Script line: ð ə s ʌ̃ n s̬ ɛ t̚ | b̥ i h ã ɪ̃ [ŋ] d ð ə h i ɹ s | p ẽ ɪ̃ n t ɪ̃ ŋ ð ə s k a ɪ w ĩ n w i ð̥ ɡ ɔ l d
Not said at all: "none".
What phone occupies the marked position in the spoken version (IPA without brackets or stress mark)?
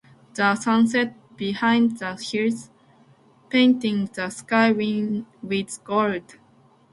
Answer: n